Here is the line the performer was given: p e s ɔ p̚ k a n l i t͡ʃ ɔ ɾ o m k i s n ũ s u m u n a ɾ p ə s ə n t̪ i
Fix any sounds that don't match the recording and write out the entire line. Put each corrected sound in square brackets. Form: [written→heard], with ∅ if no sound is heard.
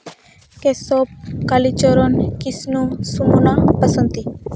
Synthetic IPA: [p→k] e s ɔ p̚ k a [n→∅] l i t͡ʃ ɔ ɾ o [m→n] k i s n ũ s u m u n a [ɾ→∅] p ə s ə n t̪ i